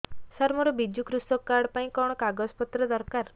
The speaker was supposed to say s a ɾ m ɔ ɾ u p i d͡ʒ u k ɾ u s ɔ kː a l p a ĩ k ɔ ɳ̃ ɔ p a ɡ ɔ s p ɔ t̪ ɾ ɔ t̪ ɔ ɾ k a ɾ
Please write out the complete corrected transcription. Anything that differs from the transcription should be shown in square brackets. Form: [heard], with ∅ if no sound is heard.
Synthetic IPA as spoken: s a ɾ m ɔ ɾ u [b] i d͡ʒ u k ɾ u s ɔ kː a [ɽ] p a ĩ k ɔ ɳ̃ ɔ [k] a ɡ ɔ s p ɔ t̪ ɾ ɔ [d̪] ɔ ɾ k a ɾ